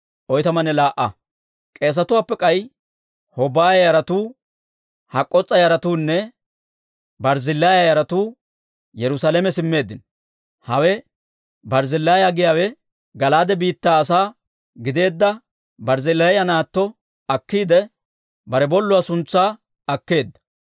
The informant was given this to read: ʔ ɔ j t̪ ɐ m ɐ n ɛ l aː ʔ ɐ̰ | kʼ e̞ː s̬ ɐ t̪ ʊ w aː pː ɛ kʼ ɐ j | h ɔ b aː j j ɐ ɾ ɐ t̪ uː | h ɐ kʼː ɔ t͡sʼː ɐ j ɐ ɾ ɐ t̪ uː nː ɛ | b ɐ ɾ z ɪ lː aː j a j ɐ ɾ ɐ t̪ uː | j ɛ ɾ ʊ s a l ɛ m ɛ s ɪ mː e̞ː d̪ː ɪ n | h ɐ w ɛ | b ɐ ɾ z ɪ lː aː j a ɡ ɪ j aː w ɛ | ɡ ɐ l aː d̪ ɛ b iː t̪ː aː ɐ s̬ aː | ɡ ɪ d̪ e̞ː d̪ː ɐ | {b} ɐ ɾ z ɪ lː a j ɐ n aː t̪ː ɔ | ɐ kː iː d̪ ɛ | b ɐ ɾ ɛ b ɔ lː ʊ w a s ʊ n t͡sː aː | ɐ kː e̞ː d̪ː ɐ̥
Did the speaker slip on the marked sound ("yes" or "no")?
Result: no